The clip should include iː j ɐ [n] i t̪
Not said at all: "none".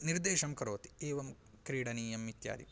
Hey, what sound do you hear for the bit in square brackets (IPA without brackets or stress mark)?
m